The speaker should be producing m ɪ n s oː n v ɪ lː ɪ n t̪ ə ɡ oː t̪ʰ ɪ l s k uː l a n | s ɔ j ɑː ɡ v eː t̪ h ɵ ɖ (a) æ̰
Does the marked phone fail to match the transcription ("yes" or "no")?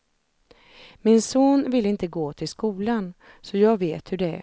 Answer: yes